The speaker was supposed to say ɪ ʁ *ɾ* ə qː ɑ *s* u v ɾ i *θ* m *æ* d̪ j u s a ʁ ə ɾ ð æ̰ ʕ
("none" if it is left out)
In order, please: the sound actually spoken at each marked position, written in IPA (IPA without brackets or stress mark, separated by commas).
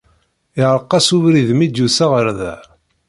ɾ, s, ð, i